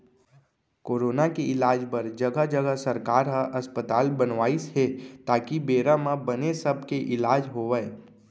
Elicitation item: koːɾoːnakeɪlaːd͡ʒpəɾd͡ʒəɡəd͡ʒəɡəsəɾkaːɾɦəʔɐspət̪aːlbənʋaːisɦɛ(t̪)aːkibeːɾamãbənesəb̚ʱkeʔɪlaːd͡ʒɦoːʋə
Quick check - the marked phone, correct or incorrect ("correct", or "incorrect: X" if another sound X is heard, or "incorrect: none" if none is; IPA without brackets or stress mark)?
correct